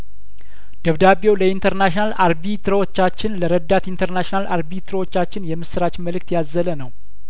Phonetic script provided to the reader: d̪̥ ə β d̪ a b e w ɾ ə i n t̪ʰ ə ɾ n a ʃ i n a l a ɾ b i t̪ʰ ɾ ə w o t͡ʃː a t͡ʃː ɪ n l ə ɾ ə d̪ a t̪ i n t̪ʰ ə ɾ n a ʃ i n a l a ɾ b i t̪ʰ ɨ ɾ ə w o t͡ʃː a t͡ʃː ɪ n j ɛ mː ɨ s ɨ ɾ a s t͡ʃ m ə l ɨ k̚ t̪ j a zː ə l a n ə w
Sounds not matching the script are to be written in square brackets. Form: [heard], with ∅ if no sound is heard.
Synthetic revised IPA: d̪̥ ə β d̪ a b e w [l] ə i n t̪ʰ ə ɾ n a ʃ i n a l a ɾ b i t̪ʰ ɾ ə w o t͡ʃː a t͡ʃː ɪ n l ə ɾ ə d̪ a t̪ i n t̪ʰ ə ɾ n a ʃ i n a l a ɾ b i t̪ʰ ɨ ɾ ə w o t͡ʃː a t͡ʃː ɪ n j ɛ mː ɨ s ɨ ɾ a [∅] t͡ʃ m ə l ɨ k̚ t̪ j a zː ə l [ə] n ə w